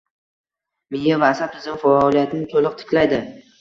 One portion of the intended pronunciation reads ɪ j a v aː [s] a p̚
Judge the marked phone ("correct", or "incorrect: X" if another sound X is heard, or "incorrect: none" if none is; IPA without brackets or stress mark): correct